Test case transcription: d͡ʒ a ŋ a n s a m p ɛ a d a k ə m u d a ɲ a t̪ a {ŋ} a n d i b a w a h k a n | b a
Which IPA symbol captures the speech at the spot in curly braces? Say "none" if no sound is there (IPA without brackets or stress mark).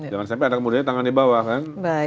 ŋ